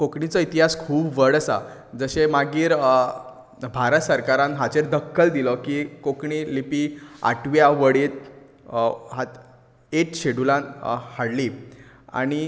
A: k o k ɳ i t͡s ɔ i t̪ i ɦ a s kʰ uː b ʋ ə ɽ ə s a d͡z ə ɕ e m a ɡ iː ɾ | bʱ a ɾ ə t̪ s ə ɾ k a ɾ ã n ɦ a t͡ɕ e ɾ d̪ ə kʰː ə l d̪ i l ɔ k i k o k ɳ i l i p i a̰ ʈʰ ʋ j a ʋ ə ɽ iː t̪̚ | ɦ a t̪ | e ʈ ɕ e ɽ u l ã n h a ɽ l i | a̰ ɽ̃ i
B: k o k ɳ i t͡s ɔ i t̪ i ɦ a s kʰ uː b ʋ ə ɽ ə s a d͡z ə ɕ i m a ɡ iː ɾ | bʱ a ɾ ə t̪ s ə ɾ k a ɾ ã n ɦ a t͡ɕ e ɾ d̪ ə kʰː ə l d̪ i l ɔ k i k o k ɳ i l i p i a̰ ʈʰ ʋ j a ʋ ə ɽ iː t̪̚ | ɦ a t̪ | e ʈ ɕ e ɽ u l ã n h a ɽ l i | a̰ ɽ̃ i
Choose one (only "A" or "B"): A